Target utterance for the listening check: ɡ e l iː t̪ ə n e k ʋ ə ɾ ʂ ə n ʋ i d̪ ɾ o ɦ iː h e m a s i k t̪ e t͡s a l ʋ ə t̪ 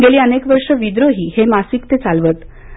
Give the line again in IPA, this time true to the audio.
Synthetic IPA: ɡ e l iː ə n e k ʋ ə ɾ ʂ ə ʋ i d̪ ɾ o ɦ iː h e m a s i k t̪ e t͡s a l ʋ ə t̪